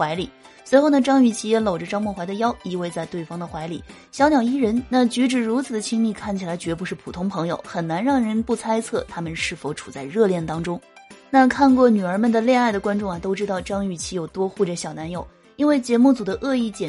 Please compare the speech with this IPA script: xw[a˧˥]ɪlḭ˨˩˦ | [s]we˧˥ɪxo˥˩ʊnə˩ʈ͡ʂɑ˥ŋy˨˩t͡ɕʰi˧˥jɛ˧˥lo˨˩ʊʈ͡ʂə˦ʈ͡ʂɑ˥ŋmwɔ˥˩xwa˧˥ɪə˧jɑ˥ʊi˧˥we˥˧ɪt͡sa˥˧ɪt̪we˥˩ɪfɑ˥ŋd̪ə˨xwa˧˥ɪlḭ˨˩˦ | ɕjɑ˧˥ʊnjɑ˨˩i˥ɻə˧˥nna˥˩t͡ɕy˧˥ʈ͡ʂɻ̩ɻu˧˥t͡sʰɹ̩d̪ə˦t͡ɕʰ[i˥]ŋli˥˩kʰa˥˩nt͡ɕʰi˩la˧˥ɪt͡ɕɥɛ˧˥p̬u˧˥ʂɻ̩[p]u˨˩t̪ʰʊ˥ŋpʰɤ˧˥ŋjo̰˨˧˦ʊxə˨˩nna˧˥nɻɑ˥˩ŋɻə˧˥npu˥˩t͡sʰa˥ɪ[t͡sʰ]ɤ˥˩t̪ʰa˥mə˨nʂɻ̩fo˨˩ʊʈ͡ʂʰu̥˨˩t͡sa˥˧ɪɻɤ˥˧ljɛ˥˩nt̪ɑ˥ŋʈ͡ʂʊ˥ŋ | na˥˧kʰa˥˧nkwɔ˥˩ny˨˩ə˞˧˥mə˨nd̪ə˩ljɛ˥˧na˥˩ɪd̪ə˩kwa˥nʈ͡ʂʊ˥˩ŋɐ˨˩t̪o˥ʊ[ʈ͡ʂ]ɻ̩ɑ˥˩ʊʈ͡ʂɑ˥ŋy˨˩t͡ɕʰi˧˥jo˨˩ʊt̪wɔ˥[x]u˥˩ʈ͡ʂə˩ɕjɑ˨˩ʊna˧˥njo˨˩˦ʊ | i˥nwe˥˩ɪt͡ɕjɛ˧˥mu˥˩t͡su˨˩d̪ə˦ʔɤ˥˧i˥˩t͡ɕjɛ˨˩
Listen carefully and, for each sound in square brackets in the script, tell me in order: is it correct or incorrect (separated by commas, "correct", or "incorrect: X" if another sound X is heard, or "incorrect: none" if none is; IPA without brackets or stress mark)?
correct, correct, correct, incorrect: pʰ, correct, correct, correct